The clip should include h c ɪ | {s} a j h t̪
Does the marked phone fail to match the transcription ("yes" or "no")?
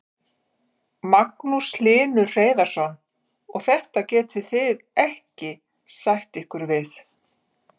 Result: no